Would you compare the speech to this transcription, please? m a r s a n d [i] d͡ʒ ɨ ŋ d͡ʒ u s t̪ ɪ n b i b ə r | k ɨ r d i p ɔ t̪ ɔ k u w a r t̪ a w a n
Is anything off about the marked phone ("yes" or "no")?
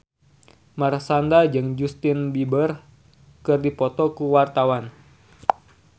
yes